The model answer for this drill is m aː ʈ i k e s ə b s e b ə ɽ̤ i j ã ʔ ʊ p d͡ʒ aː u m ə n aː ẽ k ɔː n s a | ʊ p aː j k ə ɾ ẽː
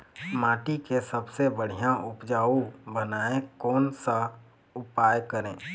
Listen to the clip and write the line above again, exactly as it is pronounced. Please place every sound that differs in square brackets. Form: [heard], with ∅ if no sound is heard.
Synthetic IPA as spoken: m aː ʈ i k e s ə b s e b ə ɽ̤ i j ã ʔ ʊ p d͡ʒ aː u [b] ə n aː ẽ k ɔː n s a | ʊ p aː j k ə ɾ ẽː